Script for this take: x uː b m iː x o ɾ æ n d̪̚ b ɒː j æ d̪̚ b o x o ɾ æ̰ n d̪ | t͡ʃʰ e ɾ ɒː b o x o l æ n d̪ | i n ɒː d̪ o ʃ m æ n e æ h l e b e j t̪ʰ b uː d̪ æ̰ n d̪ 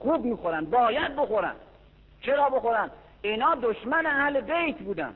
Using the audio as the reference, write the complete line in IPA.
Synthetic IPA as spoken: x uː b m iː x o ɾ æ n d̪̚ b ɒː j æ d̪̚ b o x o ɾ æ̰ n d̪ | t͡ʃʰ e ɾ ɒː b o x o ɾ æ n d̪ | i n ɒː d̪ o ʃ m æ n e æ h l e b e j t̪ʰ b uː d̪ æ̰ n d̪